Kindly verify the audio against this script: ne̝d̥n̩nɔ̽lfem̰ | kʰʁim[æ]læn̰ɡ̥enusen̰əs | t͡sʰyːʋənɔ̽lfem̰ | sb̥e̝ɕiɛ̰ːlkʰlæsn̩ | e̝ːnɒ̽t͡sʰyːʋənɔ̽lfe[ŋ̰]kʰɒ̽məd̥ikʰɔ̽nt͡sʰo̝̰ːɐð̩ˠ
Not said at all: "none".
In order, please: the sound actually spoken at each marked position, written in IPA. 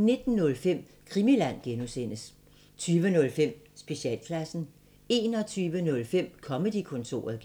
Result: i, m̰

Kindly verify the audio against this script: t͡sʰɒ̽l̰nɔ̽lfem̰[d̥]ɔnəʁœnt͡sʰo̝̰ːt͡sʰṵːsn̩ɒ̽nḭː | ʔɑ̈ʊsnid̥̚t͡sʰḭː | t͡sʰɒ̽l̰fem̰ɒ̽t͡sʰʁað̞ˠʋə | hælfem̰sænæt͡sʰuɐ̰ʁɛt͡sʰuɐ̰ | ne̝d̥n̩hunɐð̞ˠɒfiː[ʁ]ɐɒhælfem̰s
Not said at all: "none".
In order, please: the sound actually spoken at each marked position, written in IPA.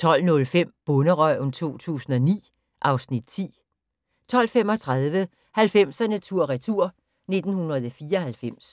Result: b̥, none

